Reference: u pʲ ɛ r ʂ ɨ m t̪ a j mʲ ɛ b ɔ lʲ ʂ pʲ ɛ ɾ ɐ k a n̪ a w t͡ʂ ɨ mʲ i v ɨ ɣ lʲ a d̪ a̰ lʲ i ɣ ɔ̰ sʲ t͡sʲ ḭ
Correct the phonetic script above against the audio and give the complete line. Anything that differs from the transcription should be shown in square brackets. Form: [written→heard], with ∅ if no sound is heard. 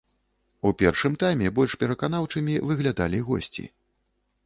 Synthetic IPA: u pʲ ɛ r ʂ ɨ m t̪ a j mʲ ɛ b ɔ lʲ ʂ pʲ ɛ ɾ ɐ k a n̪ a w t͡ʂ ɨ mʲ i v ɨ ɣ lʲ a d̪ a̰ lʲ i ɣ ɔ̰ sʲ t͡sʲ ḭ